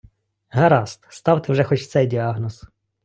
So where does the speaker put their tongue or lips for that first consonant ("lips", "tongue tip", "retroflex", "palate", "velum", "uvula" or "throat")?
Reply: throat